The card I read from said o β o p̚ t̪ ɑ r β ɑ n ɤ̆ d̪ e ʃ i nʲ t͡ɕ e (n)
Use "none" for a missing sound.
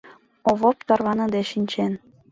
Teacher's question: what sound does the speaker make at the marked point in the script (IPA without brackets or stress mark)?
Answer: n